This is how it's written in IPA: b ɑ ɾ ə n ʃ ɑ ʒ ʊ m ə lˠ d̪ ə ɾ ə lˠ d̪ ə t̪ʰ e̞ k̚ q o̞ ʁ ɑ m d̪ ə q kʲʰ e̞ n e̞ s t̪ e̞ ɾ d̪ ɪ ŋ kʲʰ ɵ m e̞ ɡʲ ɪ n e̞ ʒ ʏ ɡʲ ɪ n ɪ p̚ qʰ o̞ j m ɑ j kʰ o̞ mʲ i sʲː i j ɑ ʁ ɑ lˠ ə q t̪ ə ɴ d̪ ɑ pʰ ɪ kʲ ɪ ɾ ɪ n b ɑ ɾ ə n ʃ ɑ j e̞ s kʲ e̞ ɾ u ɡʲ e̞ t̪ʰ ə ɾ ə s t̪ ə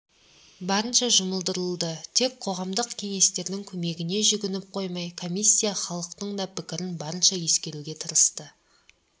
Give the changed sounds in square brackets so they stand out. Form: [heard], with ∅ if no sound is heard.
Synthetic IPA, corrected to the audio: b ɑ ɾ ə n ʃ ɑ ʒ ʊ m ə lˠ d̪ ə ɾ ə lˠ d̪ ə t̪ʰ e̞ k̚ [qʰ] o̞ ʁ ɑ m d̪ ə q kʲʰ e̞ [ŋ] e̞ s t̪ e̞ ɾ d̪ ɪ ŋ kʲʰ ɵ m e̞ ɡʲ ɪ n e̞ ʒ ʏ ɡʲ ɪ n ɪ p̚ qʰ o̞ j m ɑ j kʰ o̞ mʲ i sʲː i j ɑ [χ] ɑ lˠ ə q t̪ ə ɴ d̪ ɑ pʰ ɪ kʲ ɪ ɾ ɪ n b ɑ ɾ ə n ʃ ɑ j e̞ s kʲ e̞ ɾ u ɡʲ e̞ t̪ʰ ə ɾ ə s t̪ ə